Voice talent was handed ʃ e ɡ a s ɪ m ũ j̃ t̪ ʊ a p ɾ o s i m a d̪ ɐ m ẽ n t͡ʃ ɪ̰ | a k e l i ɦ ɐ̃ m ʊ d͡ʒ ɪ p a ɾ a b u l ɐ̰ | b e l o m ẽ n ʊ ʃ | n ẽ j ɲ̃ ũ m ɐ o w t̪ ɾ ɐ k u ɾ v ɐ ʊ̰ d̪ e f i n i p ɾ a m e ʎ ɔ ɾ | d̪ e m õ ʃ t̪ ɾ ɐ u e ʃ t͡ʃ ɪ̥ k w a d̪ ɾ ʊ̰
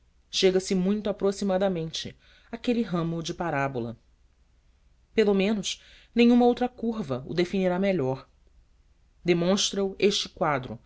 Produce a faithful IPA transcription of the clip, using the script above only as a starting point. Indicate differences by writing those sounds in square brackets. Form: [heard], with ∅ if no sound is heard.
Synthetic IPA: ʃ e ɡ [ɐ] s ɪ m ũ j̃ t̪ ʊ a p ɾ o s i m a d̪ ɐ m ẽ n t͡ʃ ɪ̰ | a k e l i ɦ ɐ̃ m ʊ d͡ʒ ɪ p a ɾ a b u l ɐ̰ | [p] e l o m ẽ n ʊ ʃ | n ẽ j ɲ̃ ũ m ɐ o w t̪ ɾ ɐ k u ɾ v ɐ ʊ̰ d̪ e f i n i [∅] ɾ a m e ʎ ɔ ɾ | d̪ e m õ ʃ t̪ ɾ ɐ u e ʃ t͡ʃ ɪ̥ k w a d̪ ɾ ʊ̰